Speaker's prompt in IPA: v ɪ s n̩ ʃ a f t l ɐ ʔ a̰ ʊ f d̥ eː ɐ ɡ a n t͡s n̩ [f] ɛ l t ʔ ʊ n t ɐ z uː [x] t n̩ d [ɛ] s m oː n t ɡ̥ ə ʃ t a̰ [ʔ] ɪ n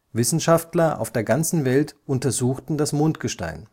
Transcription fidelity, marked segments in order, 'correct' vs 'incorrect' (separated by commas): incorrect, correct, incorrect, incorrect